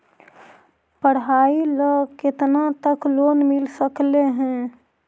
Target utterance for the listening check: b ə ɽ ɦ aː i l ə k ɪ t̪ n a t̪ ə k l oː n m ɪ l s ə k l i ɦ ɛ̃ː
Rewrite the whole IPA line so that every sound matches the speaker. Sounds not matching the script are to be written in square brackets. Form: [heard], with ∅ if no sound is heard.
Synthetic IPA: [p] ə ɽ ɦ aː i l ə k ɪ t̪ n a t̪ ə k l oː n m ɪ l s ə k l [e] ɦ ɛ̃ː